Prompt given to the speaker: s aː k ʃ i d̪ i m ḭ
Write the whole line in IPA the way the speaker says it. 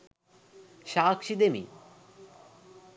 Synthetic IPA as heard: ʃ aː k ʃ i d̪ e m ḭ

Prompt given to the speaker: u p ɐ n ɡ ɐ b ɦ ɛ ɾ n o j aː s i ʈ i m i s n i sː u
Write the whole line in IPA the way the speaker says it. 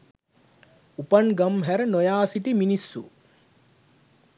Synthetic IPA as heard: u p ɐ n ɡ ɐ m ɦ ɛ ɾ n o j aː s i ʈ i m i n i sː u

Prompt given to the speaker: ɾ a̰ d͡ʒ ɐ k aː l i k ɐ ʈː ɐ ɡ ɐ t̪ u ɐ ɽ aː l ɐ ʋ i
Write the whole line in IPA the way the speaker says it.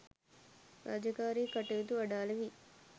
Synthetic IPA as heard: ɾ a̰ d͡ʒ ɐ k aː ɾ i k ɐ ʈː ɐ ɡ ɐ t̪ u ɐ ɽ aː l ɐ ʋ i

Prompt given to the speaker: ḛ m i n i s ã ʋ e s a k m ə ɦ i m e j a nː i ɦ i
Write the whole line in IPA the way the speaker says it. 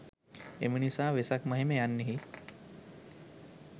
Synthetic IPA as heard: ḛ m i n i s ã ʋ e s a k m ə ɦ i m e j a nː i ɦ i

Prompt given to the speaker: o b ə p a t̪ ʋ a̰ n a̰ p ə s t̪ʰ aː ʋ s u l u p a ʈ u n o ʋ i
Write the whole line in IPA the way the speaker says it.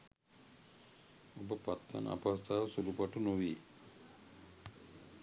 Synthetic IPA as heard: o b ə p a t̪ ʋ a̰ n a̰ p a s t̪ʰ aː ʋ s u l u p a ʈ u n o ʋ i

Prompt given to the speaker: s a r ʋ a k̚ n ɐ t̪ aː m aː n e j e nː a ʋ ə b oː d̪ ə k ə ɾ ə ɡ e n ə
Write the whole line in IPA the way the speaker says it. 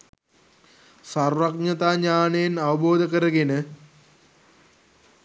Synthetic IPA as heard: s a r ʋ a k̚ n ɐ t̪ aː ɲ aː n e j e n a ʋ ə b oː d̪ ə k ə ɾ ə ɡ e n ə

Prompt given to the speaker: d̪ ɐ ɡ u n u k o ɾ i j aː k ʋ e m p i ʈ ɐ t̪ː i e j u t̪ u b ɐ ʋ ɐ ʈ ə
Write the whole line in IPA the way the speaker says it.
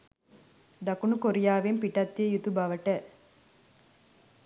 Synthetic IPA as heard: d̪ ɐ k u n u k o ɾ i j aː ʋ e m p i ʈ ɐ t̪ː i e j u t̪ u b ɐ ʋ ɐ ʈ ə

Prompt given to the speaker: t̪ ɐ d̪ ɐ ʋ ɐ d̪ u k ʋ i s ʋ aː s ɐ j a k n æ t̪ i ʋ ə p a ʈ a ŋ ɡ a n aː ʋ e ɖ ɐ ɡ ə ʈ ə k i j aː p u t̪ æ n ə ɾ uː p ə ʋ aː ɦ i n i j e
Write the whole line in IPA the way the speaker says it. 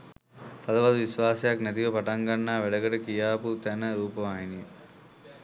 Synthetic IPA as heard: t̪ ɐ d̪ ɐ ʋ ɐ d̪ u ʋ i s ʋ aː s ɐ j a k n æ t̪ i ʋ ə p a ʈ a ŋ ɡ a nː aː ʋ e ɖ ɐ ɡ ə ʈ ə k i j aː p u t̪ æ n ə ɾ uː p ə ʋ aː ɦ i n i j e

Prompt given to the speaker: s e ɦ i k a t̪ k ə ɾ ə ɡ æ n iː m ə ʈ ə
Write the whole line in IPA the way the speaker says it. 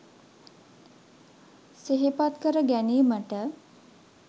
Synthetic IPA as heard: s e ɦ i p a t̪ k ə ɾ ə ɡ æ n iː m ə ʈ ə

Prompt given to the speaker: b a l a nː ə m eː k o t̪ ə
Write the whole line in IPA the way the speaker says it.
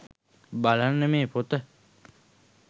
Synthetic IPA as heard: b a l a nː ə m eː p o t̪ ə

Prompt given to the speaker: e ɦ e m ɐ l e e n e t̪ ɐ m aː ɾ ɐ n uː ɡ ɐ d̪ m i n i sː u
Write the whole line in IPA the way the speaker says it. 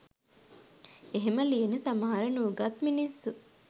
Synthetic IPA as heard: e ɦ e m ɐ l i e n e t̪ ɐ m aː ɾ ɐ n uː ɡ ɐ t̪ m i n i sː u

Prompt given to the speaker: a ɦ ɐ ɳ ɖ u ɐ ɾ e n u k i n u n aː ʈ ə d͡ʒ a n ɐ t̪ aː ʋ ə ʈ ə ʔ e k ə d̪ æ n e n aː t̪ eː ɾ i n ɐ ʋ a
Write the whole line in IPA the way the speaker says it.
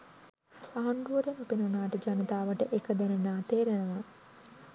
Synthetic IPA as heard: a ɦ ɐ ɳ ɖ u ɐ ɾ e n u p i n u n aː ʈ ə d͡ʒ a n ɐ t̪ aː ʋ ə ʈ ə ʔ e k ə d̪ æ n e n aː t̪ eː ɾ e n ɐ ʋ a

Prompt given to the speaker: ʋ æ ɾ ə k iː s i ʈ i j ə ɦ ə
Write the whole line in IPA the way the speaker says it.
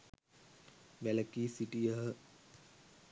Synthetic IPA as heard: ʋ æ l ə k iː s i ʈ i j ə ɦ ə

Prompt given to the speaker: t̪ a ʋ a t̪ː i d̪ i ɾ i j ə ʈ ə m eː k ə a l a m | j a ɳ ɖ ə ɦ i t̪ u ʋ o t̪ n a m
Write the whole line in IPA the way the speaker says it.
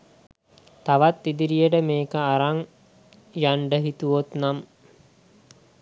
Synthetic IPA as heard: t̪ a ʋ a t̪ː i d̪ i ɾ i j ə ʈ ə m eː k ə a ɾ a ŋ | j a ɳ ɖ ə ɦ i t̪ u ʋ o t̪ n a m

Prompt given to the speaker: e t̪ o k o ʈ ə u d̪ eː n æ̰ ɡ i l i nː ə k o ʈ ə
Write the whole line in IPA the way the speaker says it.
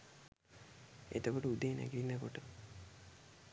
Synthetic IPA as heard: e t̪ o k o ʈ ə u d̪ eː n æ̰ ɡ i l i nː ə k o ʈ ə

